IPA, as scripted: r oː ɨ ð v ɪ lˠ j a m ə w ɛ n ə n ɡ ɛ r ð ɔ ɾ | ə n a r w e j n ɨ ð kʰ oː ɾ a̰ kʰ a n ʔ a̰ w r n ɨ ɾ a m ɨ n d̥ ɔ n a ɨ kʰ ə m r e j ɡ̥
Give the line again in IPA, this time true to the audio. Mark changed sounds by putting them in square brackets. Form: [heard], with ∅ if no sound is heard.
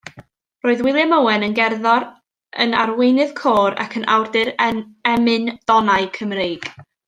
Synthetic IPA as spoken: r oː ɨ ð [w] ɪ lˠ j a m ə w ɛ n ə n ɡ ɛ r ð ɔ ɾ | ə n a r w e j n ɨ ð kʰ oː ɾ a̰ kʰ [ə] n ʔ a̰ w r [d] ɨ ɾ [ɛ] m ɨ n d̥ ɔ n a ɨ kʰ ə m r e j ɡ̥

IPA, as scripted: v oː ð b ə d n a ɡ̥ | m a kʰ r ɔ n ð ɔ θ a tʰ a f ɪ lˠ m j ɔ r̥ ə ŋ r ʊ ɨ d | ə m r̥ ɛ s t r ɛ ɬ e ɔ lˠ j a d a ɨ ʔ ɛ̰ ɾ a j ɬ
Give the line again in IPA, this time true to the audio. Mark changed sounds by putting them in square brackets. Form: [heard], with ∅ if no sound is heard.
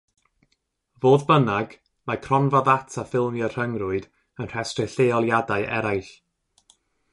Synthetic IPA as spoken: v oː ð b ə [∅] n a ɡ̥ | m a kʰ r ɔ n [v] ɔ [ð] a tʰ a f ɪ lˠ m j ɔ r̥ ə ŋ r ʊ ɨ d | ə [n] r̥ ɛ s t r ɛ ɬ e ɔ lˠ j a d a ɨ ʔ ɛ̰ ɾ a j ɬ

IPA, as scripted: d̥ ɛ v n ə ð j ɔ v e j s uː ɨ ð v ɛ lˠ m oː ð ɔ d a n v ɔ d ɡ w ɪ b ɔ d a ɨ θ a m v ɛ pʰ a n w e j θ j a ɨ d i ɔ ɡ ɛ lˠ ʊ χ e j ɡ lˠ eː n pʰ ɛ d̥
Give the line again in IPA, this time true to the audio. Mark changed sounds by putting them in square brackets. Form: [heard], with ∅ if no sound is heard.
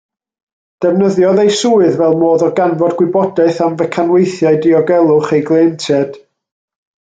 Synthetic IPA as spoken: d̥ ɛ v n ə ð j ɔ [ð] e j s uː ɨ ð v ɛ lˠ m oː ð ɔ [ɡ] a n v ɔ d ɡ w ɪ b ɔ d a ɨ θ a m v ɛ [kʰ] a n w e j θ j a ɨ d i ɔ ɡ ɛ lˠ ʊ χ e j ɡ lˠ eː n [tʰ] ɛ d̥

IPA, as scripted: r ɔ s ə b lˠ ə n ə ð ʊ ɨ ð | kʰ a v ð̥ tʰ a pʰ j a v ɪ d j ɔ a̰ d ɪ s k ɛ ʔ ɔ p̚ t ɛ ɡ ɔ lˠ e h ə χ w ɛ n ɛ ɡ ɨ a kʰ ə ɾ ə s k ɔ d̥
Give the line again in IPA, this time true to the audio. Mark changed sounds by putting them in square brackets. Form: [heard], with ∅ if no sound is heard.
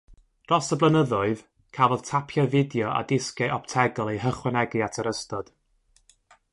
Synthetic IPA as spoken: r ɔ s ə b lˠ ə n ə ð ʊ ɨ ð | kʰ a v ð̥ tʰ a pʰ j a v ɪ d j ɔ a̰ d ɪ s k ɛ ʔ ɔ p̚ [tʰ] ɛ ɡ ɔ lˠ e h ə χ w ɛ n ɛ ɡ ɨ a [tʰ] ə ɾ ə s [t] ɔ d̥

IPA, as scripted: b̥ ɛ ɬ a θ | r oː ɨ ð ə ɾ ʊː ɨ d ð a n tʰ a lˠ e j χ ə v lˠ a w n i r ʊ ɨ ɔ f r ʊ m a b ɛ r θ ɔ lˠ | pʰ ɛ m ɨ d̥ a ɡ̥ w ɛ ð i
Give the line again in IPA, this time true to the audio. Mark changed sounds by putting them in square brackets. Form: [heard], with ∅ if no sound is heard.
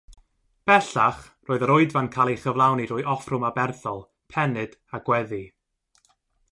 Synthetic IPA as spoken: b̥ ɛ ɬ a [χ] | r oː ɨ ð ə ɾ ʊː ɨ d [v] a n [kʰ] a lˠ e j χ ə v lˠ a w n i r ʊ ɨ ɔ f r ʊ m a b ɛ r θ ɔ lˠ | pʰ ɛ [n] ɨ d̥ a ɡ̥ w ɛ ð i

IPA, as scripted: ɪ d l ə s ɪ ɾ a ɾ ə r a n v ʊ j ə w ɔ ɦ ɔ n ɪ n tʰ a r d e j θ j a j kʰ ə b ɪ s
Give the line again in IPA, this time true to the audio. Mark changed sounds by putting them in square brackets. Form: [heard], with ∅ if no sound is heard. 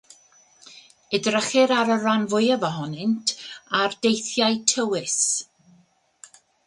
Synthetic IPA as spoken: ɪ d [r] ə [χ] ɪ ɾ a ɾ ə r a n v ʊ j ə [v] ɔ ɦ ɔ n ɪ n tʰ a r d e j θ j a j [tʰ] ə [w] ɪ s

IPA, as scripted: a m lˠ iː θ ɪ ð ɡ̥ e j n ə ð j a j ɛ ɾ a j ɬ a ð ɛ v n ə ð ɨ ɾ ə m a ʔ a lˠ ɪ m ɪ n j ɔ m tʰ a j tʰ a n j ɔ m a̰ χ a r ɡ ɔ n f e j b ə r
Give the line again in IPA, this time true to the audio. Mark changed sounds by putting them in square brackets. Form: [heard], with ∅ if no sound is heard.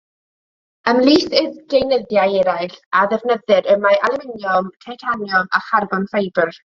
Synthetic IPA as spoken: [ə] m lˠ iː θ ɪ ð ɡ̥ e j n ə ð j a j ɛ ɾ a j ɬ a ð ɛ v n ə ð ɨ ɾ ə m a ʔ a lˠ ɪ m ɪ n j ɔ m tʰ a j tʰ a n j ɔ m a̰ χ a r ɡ ɔ n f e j b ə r

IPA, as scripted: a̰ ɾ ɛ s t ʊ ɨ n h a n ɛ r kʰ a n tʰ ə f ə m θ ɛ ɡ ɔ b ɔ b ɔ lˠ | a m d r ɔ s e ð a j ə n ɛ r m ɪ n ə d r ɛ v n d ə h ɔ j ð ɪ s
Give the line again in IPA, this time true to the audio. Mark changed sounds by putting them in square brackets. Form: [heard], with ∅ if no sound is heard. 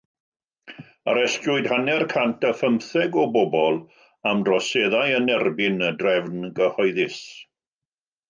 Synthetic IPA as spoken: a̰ ɾ ɛ s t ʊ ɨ [d] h a n ɛ r kʰ a n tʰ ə f ə m θ ɛ ɡ ɔ b ɔ b ɔ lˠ | a m d r ɔ s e ð a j ə n ɛ r [b] ɪ n ə d r ɛ v n [ɡ] ə h ɔ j ð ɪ s

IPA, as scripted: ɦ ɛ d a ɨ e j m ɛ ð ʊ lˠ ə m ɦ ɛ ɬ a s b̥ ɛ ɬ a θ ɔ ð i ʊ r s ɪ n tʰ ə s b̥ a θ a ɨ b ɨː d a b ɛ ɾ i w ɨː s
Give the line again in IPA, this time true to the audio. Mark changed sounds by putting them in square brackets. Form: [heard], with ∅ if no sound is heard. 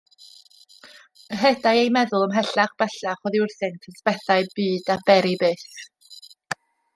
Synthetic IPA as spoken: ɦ ɛ d a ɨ e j m ɛ ð ʊ lˠ ə m ɦ ɛ ɬ a [χ] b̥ ɛ ɬ a [χ] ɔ ð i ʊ r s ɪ n tʰ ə s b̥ [ɛ] θ a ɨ b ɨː d a b ɛ ɾ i [b] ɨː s

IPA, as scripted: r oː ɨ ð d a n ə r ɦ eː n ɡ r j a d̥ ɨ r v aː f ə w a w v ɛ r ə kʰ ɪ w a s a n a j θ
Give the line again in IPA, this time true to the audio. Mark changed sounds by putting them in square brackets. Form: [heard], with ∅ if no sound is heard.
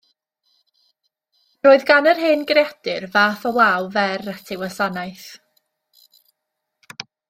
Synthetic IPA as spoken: r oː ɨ ð [ɡ] a n ə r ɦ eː n ɡ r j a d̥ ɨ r v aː f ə w a w v ɛ r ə [tʰ] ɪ w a s a n a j θ

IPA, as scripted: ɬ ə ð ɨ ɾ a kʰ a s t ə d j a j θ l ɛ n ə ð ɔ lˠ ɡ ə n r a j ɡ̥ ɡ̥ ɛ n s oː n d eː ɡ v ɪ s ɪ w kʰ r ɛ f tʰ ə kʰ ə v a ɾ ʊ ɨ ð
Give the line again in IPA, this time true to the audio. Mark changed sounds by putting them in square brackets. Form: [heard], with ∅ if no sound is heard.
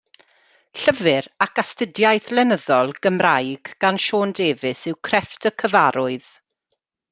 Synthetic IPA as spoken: ɬ ə [v] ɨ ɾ a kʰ a s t ə d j a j θ l ɛ n ə ð ɔ lˠ ɡ ə [m] r a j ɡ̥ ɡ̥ [a] n [ʃ] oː n d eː [∅] v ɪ s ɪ w kʰ r ɛ f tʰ ə kʰ ə v a ɾ ʊ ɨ ð

